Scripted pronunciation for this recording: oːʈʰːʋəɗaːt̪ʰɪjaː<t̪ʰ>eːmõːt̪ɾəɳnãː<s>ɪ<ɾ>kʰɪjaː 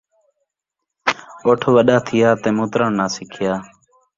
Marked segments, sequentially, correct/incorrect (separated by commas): incorrect, correct, incorrect